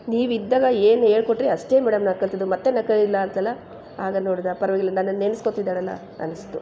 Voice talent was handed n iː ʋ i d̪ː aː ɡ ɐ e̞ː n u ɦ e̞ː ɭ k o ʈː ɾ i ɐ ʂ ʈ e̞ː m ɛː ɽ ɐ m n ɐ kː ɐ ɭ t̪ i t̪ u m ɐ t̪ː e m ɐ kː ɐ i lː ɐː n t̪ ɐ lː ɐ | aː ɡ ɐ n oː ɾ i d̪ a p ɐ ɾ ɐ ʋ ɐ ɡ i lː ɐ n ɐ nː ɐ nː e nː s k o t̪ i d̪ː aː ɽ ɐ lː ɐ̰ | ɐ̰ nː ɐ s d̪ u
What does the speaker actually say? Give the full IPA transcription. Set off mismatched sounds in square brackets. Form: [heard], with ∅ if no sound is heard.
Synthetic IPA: n iː ʋ i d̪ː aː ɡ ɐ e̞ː n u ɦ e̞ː ɭ k o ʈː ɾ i ɐ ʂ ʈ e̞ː m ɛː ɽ ɐ m n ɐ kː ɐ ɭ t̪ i [d̪] u m ɐ t̪ː e [n] ɐ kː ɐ i lː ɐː n t̪ ɐ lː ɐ | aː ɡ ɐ n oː [ɽ] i d̪ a p ɐ ɾ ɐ ʋ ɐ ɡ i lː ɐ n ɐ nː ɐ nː e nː s k o t̪ i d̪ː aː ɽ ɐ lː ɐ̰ | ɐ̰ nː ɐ s [t̪] u